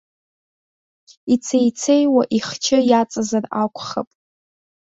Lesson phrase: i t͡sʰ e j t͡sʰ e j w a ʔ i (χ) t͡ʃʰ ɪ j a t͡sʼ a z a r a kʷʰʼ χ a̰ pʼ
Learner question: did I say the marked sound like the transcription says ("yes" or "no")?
yes